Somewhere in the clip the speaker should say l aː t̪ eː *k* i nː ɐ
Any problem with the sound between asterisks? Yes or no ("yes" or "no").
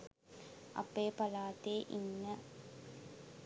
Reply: yes